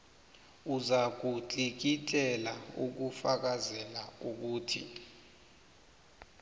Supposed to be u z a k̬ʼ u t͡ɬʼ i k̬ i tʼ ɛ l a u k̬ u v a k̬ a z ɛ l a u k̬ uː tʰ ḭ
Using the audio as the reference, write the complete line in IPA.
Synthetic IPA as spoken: u z a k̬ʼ u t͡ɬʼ i k̬ i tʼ ɛ l a u k̬ u f a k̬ a z ɛ l a u k̬ uː tʰ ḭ